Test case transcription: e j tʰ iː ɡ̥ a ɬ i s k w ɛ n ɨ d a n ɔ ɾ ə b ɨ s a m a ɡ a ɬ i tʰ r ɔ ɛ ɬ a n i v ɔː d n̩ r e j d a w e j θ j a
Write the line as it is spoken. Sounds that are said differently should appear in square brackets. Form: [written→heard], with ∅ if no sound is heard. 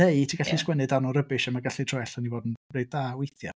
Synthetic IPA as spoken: e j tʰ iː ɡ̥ a ɬ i s k w ɛ n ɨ d a n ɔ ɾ ə b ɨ [s→ʃ] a m a ɡ a ɬ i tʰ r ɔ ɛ ɬ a n i v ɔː d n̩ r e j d a w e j θ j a